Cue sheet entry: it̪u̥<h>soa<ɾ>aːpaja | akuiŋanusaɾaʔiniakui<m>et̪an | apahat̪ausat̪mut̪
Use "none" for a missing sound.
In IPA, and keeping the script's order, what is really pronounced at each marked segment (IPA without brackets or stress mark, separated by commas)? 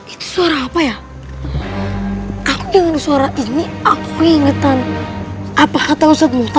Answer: none, ɾ, ŋ